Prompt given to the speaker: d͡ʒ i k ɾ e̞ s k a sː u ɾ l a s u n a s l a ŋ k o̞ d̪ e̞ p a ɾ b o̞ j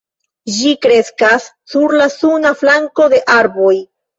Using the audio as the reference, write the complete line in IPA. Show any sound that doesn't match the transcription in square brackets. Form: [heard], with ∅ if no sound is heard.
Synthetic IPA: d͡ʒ i k ɾ e̞ s k a sː u ɾ l a s u n a [f] l a ŋ k o̞ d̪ e̞ [ʔ] a ɾ b o̞ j